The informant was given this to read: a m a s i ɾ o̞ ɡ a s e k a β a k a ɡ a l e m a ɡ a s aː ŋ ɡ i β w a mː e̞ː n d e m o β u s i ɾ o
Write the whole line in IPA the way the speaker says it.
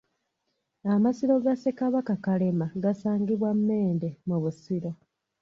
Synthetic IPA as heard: a m a s i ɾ o̞ ɡ a s e k a β a k a k a l e m a ɡ a s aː ŋ ɡ i β w a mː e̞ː n d e m u β u s i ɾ o